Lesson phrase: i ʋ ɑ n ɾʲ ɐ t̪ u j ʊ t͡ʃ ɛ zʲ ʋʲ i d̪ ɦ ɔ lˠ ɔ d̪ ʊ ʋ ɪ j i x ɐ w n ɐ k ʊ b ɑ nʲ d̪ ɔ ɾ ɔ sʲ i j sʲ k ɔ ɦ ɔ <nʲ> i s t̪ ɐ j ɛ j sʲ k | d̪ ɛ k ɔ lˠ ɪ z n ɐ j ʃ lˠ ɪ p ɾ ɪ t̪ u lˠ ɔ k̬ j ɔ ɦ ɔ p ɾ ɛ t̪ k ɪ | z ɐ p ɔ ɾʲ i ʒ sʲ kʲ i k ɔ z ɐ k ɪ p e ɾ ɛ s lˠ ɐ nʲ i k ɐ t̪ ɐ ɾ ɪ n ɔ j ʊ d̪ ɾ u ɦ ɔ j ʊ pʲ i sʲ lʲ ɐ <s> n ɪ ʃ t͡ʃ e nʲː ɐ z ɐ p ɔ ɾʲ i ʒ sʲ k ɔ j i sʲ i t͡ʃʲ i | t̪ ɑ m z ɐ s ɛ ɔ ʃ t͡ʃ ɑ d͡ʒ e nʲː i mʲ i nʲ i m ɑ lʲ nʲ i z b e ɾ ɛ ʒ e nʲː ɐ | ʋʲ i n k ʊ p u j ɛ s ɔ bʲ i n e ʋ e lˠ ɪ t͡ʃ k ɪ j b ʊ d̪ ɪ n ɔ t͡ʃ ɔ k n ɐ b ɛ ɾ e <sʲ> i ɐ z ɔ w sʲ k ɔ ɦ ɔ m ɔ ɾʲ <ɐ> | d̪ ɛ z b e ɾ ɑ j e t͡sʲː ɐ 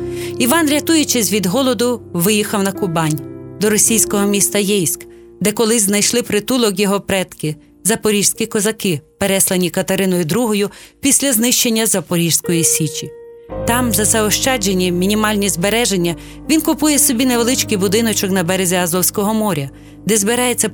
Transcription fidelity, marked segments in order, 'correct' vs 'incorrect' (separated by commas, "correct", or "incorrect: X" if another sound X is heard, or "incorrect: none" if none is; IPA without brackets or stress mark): incorrect: mʲ, incorrect: z, incorrect: zʲ, correct